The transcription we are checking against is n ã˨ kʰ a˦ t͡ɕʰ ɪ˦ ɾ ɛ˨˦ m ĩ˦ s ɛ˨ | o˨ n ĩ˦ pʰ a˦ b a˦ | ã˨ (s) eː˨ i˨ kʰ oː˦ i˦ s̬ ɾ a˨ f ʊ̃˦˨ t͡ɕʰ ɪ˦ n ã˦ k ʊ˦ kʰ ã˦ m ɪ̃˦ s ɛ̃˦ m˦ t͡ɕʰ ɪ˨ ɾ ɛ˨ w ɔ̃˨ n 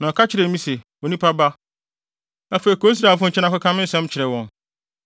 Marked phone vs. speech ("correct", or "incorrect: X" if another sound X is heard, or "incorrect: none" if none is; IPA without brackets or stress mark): incorrect: f